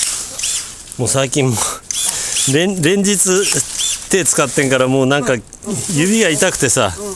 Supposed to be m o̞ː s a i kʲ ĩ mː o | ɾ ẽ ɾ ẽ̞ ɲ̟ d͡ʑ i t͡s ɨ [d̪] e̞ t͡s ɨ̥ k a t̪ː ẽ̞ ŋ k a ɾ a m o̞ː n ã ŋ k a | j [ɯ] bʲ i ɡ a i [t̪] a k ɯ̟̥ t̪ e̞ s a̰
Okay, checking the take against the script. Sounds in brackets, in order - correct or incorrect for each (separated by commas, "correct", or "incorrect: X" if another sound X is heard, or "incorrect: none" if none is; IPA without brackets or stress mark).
incorrect: t̪, correct, correct